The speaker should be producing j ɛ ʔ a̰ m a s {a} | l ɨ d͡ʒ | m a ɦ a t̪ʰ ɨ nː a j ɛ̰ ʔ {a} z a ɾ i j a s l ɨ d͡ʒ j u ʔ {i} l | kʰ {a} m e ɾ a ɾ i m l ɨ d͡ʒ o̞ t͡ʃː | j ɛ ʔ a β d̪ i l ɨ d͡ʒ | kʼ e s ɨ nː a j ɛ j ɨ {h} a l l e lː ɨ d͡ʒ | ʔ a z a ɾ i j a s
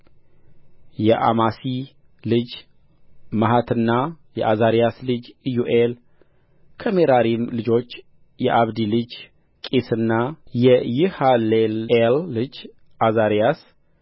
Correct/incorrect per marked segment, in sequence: incorrect, correct, incorrect, incorrect, correct

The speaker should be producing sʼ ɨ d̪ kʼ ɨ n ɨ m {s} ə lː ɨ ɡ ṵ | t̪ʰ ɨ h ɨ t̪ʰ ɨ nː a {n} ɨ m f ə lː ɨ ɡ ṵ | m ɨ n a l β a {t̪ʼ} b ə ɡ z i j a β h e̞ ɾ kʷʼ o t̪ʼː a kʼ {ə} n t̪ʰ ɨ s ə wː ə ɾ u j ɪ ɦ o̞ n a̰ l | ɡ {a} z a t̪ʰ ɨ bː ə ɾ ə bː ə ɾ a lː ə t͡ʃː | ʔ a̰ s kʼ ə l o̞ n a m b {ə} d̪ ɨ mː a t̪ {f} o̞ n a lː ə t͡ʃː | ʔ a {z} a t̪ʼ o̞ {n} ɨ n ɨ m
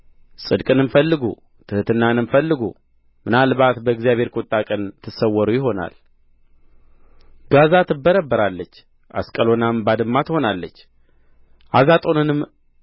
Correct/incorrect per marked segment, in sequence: incorrect, correct, incorrect, correct, correct, incorrect, incorrect, correct, correct

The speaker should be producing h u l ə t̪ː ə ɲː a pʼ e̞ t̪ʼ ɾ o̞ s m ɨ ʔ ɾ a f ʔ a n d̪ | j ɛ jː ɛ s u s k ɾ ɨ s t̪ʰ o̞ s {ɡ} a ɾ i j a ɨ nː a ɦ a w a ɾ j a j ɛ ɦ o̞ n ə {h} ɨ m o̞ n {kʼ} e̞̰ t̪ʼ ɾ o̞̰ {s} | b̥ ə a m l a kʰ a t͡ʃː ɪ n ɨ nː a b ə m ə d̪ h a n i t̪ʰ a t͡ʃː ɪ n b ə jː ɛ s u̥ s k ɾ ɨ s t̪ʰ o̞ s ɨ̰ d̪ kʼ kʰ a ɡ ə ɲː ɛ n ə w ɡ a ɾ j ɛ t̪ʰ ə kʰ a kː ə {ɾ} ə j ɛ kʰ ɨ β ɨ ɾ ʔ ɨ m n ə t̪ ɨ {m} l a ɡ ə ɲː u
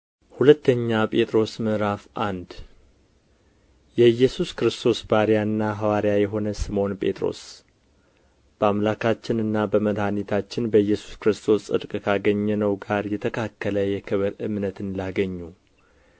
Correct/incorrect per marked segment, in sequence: incorrect, incorrect, incorrect, correct, incorrect, incorrect

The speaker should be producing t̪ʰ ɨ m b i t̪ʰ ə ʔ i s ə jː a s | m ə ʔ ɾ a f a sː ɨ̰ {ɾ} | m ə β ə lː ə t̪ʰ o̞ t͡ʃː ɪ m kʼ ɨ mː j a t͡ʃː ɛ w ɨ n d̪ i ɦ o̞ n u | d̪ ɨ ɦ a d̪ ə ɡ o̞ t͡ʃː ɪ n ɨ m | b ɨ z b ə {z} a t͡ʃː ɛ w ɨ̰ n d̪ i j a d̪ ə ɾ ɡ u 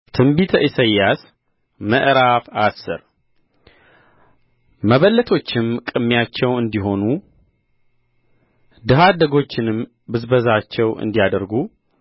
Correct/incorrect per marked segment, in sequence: correct, correct

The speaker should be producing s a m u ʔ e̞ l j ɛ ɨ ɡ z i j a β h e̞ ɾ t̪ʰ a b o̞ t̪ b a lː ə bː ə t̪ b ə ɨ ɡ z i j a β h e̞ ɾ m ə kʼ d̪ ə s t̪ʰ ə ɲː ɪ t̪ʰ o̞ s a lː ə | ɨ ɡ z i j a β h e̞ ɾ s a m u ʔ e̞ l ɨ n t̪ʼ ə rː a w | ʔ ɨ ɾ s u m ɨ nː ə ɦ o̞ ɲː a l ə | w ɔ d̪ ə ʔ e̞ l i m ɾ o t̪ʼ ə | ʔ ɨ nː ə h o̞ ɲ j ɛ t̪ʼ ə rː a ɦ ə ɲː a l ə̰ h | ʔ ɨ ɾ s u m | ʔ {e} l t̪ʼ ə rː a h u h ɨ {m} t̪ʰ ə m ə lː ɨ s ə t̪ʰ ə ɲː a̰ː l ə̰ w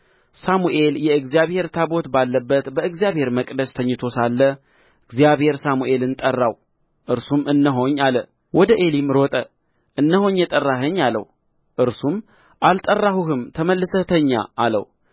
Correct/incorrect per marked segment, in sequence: incorrect, correct

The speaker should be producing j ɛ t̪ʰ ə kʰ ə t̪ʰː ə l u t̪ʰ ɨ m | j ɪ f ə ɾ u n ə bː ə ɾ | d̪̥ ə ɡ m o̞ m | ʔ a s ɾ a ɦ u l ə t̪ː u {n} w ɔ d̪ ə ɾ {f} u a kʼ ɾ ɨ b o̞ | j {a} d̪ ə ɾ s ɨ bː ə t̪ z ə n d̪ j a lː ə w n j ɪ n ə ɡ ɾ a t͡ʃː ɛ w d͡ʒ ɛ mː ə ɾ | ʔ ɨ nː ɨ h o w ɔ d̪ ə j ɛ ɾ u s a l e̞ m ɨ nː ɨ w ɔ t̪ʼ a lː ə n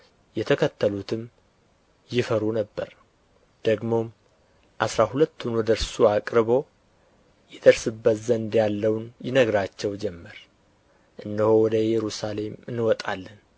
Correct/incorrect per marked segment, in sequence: correct, incorrect, incorrect

